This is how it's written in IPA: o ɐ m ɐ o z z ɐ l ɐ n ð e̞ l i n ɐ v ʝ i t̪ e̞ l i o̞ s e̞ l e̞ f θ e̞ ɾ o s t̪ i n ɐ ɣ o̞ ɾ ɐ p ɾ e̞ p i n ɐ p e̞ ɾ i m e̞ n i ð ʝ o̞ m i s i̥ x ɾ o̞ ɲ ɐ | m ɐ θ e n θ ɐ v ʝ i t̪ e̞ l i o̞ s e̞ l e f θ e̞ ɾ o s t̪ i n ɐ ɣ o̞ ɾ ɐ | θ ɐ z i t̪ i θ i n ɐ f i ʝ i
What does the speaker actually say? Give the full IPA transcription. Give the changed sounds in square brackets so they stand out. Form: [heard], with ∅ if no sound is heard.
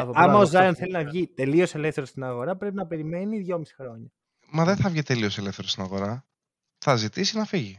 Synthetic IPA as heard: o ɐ m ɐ o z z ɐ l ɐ n [θ] e̞ l i n ɐ v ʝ i t̪ e̞ l i o̞ s e̞ l e̞ f θ e̞ ɾ o s t̪ i n ɐ ɣ o̞ ɾ ɐ p ɾ e̞ p i n ɐ p e̞ ɾ i m e̞ n i ð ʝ o̞ m i s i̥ x ɾ o̞ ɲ ɐ | m ɐ [ð] e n θ ɐ v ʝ i t̪ e̞ l i o̞ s e̞ l e f θ e̞ ɾ o s t̪ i n ɐ ɣ o̞ ɾ ɐ | θ ɐ z i t̪ i [s] i n ɐ f i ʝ i